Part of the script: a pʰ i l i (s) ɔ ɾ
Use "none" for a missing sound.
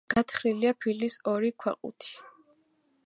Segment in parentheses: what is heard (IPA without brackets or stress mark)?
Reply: s